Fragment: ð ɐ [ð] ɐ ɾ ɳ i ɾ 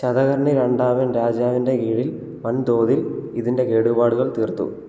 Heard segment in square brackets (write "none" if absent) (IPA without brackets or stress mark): ɣ